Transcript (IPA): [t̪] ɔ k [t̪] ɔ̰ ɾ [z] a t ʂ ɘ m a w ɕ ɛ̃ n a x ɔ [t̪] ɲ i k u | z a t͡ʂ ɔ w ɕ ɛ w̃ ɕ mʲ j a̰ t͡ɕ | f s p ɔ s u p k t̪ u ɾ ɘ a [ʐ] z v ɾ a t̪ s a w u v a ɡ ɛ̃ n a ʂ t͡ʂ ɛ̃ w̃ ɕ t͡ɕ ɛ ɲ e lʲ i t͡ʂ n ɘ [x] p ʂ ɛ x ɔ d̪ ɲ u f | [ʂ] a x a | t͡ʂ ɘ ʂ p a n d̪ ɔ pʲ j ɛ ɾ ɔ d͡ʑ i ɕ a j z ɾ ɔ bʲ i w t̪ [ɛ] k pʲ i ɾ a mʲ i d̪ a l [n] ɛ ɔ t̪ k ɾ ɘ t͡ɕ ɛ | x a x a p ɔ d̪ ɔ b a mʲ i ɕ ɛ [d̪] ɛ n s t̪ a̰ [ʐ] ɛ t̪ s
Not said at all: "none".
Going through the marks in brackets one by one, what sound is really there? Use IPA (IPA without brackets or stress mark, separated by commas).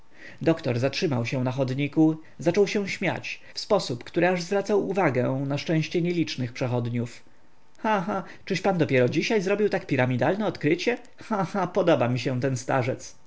d̪, t̪, z, d̪, ʐ, x, x, a, n, t̪, ʐ